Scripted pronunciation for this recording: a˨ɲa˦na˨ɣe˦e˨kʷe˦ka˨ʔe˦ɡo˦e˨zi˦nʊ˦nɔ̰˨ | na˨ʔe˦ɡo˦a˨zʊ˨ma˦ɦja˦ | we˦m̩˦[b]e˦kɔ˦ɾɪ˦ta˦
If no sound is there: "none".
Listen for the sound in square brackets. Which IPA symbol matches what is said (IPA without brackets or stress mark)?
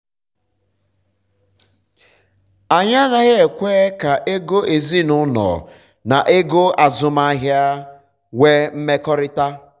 m